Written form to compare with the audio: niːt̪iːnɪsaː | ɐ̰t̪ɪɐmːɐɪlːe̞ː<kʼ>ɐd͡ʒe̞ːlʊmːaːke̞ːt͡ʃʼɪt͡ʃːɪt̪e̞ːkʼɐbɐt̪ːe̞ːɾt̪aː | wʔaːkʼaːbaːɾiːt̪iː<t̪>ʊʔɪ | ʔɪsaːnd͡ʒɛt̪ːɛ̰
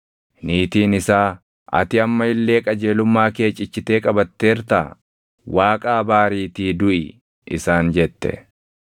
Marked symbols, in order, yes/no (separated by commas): yes, no